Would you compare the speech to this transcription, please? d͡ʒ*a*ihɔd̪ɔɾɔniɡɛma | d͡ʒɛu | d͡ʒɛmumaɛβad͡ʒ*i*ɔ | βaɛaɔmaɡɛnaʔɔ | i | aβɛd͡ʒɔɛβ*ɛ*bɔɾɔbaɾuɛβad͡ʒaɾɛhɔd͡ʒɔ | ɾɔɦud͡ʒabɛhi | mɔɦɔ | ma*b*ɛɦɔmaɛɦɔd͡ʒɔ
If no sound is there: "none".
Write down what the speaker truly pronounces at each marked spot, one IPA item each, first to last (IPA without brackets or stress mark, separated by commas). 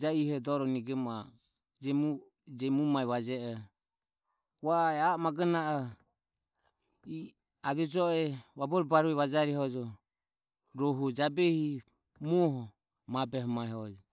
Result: a, ɛ, a, b